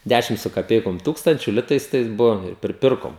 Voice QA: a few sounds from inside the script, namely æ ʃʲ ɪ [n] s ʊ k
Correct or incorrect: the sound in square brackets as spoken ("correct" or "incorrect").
incorrect